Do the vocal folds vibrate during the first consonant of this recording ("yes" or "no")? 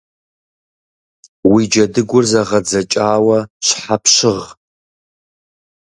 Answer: yes